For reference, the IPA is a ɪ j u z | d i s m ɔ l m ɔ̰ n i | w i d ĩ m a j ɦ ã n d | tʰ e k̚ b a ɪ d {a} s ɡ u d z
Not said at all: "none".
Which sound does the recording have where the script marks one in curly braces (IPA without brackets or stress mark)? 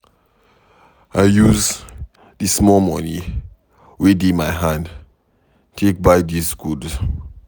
i